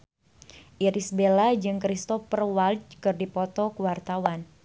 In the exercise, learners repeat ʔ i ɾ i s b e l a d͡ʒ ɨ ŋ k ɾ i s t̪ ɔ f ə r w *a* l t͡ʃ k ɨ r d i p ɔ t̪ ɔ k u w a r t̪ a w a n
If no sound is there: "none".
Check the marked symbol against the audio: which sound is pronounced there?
a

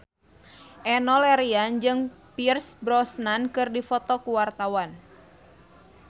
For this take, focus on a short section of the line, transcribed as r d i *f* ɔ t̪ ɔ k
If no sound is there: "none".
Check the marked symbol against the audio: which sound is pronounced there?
f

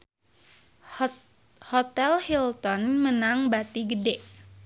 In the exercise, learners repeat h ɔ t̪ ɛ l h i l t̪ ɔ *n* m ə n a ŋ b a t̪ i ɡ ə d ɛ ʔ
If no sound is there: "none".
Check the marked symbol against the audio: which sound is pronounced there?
n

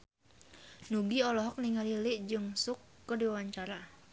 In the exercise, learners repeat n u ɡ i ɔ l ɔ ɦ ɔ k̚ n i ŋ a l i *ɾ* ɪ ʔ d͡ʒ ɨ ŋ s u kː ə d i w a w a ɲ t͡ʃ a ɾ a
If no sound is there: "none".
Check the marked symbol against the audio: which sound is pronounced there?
l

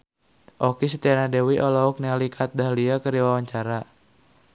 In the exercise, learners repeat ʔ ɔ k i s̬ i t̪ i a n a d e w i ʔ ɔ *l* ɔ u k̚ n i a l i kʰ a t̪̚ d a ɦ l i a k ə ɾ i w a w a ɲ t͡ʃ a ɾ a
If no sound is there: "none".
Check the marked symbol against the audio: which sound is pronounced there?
l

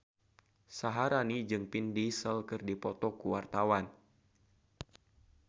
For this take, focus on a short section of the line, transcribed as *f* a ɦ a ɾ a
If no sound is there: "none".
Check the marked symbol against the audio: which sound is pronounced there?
s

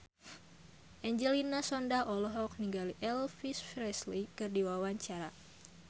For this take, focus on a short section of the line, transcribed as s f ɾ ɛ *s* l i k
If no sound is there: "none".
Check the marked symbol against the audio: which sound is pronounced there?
s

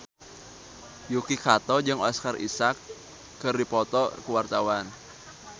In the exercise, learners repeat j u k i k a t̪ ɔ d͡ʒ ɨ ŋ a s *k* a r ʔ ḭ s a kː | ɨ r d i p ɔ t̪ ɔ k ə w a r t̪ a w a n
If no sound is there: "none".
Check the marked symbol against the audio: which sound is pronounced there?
k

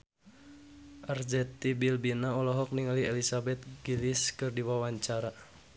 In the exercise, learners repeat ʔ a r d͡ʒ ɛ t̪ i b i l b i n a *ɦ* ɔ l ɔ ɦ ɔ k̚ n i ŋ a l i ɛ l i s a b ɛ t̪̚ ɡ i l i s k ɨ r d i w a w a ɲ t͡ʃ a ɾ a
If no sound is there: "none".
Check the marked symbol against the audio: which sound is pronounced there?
none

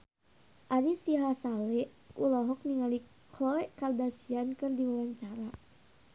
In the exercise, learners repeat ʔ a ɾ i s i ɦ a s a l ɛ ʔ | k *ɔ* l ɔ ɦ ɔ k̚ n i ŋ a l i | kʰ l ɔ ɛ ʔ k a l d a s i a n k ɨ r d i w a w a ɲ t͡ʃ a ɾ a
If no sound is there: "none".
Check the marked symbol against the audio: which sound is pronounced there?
u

